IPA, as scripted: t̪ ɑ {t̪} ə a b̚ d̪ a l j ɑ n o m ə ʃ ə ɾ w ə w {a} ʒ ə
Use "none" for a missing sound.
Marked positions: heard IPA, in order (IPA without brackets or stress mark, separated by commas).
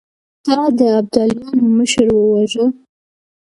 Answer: d̪, a